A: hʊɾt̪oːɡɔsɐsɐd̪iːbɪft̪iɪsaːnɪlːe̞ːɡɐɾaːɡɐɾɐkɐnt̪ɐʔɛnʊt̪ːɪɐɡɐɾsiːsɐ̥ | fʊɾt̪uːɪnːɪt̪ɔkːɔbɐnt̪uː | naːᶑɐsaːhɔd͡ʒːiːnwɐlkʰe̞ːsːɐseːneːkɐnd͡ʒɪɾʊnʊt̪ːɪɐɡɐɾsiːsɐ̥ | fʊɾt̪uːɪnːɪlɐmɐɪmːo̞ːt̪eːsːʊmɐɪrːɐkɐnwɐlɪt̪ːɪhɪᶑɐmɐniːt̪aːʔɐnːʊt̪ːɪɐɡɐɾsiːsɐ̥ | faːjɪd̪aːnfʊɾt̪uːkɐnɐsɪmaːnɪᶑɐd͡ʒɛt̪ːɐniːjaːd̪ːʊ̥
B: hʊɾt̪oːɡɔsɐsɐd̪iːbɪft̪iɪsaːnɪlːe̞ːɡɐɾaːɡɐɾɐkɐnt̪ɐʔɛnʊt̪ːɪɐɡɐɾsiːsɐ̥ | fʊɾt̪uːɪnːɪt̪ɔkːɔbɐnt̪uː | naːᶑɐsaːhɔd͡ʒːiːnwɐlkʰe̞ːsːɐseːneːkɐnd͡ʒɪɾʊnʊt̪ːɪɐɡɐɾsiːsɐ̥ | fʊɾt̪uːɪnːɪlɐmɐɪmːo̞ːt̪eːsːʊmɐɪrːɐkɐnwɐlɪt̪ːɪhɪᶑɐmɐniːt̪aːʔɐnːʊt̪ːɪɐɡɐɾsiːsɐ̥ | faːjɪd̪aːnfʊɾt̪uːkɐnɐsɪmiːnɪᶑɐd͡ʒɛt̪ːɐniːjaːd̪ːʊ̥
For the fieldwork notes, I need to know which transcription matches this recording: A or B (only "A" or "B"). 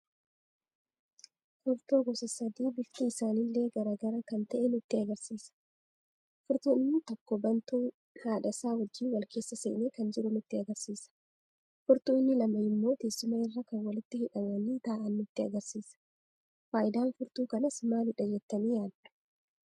A